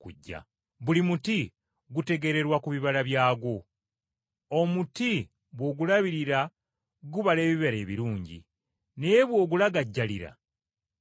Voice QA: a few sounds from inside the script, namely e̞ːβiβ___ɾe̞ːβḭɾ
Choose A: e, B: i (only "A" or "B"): A